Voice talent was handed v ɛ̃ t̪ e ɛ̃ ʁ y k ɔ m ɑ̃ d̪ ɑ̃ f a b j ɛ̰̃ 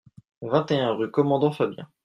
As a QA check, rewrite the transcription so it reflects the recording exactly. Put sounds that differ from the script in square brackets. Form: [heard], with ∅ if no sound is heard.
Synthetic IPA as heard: v ɛ̃ t̪ e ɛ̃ ʁ y k ɔ m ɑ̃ d̪ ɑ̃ f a b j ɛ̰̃